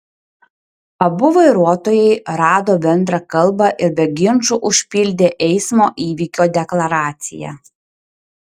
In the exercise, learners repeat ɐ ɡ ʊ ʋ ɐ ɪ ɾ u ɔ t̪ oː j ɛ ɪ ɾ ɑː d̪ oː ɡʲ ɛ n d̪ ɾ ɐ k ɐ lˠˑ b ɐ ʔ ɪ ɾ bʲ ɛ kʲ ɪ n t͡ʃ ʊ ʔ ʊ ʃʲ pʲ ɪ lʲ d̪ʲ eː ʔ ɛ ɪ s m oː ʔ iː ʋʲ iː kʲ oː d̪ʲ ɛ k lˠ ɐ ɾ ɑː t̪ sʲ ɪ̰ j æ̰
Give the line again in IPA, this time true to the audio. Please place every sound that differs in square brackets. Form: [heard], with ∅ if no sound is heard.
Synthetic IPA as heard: ɐ [b] ʊ ʋ ɐ ɪ ɾ u ɔ t̪ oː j ɛ ɪ ɾ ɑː d̪ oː [bʲ] ɛ n d̪ ɾ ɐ k ɐ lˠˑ b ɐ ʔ ɪ ɾ bʲ ɛ [ɡʲ] ɪ n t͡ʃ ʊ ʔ ʊ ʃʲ pʲ ɪ lʲ d̪ʲ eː ʔ ɛ ɪ s m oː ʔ iː ʋʲ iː kʲ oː d̪ʲ ɛ k lˠ ɐ ɾ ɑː t̪ sʲ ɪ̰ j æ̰